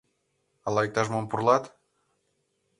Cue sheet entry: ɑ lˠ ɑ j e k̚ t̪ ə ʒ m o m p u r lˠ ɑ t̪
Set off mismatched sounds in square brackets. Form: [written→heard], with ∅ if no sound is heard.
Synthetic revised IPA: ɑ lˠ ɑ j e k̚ t̪ [ə→ɑ] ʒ m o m p u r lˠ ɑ t̪